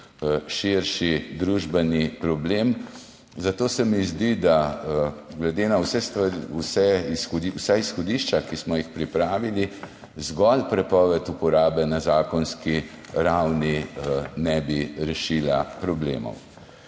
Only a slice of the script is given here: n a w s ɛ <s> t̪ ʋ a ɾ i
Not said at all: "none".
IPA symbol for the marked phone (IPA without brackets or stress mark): s